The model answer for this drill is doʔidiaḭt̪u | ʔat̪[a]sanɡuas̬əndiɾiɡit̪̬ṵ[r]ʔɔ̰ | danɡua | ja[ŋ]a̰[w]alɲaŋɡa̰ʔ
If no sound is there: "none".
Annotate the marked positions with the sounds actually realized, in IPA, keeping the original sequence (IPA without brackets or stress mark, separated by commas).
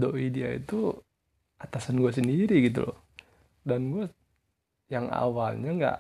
a, l, ŋ, w